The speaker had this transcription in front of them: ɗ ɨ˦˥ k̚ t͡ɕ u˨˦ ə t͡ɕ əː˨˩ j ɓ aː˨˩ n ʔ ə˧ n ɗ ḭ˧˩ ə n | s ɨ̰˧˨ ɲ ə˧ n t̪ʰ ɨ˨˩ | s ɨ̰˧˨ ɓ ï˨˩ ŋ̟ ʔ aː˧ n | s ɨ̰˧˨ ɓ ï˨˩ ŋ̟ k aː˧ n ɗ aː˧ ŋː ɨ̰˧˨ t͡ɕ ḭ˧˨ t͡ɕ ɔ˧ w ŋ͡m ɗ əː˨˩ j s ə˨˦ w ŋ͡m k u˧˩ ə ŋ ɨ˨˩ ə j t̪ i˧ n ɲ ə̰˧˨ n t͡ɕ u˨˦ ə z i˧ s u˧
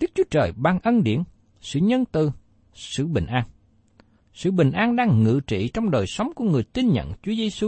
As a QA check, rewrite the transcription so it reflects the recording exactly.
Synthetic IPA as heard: ɗ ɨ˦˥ k̚ t͡ɕ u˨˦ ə t͡ɕ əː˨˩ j ɓ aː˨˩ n ʔ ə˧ n ɗ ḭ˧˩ ə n | s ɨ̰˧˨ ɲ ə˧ n t̪ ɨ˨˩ | s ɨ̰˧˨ ɓ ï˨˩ ŋ̟ ʔ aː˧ n | s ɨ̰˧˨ ɓ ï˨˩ ŋ̟ ʔ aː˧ n ɗ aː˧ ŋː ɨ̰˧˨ t͡ɕ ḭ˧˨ t͡ɕ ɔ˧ w ŋ͡m ɗ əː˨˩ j s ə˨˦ w ŋ͡m k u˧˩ ə ŋ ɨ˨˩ ə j t̪ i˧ n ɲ ə̰˧˨ n t͡ɕ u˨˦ ə z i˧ s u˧